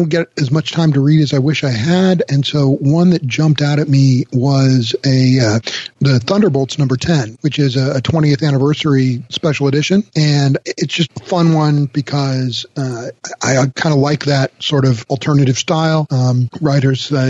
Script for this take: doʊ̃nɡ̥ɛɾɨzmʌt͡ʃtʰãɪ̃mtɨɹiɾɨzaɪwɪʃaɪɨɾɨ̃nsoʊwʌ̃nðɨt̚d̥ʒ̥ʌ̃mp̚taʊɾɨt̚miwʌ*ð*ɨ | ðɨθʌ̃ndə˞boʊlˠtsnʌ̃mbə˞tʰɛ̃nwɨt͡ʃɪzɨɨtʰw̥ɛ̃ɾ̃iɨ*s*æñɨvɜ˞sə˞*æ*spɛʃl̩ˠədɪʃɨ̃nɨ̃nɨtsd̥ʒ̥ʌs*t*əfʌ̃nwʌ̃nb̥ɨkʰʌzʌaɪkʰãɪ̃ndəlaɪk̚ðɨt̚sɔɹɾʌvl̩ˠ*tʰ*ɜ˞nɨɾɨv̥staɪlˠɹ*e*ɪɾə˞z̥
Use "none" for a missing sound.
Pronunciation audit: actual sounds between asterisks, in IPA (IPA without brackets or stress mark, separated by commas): z, θ, i, t, tʰ, a